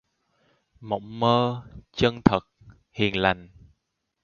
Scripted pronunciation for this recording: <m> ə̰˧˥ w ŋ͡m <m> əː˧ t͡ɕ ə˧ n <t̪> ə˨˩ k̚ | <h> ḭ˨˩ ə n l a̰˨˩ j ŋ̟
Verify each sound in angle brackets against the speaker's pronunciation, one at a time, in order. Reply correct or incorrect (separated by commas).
correct, correct, incorrect, correct